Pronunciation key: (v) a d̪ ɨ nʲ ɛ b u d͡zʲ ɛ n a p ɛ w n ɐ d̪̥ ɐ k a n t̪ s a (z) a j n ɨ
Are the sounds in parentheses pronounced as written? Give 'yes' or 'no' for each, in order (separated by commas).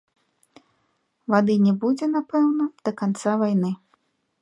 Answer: yes, no